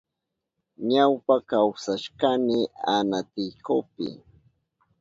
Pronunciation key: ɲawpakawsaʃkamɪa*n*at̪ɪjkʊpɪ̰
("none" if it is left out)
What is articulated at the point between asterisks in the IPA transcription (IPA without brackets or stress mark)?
n